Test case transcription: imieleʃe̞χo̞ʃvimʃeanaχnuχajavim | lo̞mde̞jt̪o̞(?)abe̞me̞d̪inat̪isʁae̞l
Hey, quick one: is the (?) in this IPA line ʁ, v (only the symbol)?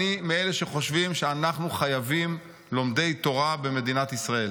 ʁ